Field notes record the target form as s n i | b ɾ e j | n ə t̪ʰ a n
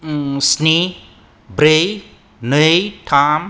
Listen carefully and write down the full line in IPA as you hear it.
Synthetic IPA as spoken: s n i | b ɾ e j | n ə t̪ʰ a m